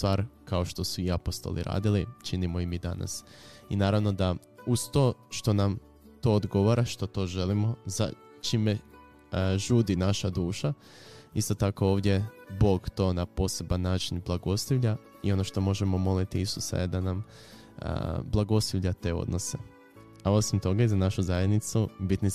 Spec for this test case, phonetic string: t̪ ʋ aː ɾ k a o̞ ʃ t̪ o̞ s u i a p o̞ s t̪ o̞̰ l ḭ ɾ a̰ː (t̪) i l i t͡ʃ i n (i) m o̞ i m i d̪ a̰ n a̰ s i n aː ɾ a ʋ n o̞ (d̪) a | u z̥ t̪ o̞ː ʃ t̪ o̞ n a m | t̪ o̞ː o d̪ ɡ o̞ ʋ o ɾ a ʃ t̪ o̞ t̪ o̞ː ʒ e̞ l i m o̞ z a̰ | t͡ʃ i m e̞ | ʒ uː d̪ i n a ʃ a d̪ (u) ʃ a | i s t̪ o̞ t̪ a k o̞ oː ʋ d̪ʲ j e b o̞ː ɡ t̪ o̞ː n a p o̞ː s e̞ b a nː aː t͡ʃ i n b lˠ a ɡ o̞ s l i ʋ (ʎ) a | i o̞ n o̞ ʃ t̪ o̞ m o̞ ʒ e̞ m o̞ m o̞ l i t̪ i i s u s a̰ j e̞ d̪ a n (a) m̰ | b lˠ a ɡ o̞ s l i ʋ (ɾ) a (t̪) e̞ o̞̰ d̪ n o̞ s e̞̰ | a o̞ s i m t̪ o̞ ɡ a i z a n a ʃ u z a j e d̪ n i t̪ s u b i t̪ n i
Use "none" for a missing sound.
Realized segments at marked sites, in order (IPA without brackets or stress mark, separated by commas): d̪, i, d̪, uː, ʎ, a, ʎ, t̪